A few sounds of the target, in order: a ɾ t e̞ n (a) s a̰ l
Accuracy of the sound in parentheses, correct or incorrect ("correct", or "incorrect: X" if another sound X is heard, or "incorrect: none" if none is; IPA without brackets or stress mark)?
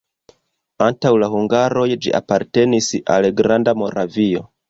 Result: incorrect: i